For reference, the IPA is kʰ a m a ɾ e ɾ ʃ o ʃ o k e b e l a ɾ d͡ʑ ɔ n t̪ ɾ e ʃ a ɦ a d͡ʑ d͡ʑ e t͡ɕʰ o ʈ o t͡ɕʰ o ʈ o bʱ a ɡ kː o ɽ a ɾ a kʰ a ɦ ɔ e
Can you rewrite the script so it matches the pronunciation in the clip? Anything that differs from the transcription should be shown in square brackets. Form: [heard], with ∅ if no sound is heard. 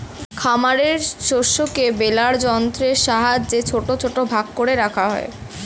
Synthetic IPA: kʰ a m a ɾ e ɾ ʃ o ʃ o k e b e l a ɾ d͡ʑ ɔ n t̪ ɾ e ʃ a ɦ a d͡ʑ d͡ʑ e t͡ɕʰ o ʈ o t͡ɕʰ o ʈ o bʱ a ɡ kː o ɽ [e] ɾ a kʰ a ɦ ɔ e